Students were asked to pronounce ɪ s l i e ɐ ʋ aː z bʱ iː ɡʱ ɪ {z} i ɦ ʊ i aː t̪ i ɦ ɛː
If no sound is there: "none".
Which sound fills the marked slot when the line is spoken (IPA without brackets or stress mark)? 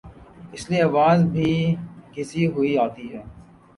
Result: s